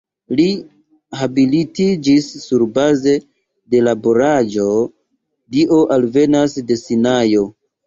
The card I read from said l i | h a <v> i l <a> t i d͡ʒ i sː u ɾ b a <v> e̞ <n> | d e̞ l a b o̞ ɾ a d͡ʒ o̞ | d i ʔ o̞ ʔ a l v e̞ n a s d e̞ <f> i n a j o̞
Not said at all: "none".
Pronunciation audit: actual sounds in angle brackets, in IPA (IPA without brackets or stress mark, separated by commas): b, i, z, none, s